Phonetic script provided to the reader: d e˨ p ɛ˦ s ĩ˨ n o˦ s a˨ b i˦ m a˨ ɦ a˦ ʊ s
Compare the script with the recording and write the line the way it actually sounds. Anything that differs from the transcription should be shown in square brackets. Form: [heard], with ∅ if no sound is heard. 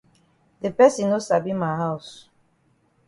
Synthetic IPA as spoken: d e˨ p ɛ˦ s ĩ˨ n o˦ s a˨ b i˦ m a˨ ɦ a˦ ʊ s